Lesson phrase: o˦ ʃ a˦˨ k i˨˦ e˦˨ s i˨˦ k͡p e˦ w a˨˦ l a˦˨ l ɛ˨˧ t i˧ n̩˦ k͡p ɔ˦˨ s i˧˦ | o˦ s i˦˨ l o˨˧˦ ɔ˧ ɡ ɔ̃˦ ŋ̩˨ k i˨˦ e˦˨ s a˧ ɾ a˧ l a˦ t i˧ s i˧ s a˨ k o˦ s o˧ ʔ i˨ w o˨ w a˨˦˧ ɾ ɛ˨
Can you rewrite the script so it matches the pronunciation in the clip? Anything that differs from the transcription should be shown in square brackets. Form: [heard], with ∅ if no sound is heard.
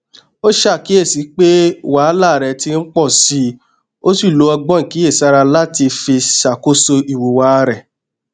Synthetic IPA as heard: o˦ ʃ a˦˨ k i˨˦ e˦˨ s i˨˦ k͡p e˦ w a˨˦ l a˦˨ [ɾ] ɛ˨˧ t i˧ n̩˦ k͡p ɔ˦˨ s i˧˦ | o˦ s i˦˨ l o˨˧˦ ɔ˧ [ɡ͡b] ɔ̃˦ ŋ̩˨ k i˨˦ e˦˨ s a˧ ɾ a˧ l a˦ t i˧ [f] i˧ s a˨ k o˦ s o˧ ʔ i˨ w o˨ w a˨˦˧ ɾ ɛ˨